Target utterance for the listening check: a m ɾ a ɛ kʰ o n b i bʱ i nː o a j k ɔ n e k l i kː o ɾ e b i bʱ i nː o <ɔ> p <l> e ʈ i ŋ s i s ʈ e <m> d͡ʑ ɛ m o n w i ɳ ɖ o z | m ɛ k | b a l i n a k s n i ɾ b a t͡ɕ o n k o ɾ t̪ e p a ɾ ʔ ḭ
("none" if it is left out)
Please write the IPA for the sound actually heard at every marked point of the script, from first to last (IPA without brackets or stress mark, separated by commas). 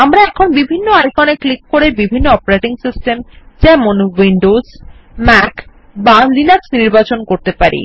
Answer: ɔ, ɾ, m